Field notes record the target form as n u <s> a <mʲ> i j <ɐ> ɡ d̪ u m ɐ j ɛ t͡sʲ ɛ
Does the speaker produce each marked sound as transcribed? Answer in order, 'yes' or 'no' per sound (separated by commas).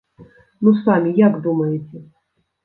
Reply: yes, yes, no